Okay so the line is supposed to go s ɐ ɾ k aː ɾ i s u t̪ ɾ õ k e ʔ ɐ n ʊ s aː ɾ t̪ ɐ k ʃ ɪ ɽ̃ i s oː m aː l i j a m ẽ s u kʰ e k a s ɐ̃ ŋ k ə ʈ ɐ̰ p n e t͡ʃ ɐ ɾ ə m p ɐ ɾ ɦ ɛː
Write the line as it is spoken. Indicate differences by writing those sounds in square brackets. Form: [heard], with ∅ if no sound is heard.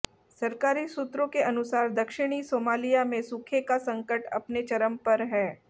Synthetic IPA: s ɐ ɾ k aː ɾ i s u t̪ ɾ õ k e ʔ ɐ n ʊ s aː ɾ [d̪] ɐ k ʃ ɪ ɽ̃ i s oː m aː l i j a m ẽ s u kʰ e k a s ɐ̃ ŋ k ə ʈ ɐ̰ p n e t͡ʃ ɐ ɾ ə m p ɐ ɾ ɦ ɛː